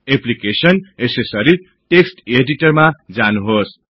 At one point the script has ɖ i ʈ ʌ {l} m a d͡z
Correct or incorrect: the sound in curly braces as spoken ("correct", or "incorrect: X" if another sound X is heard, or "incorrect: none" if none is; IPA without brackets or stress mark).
incorrect: r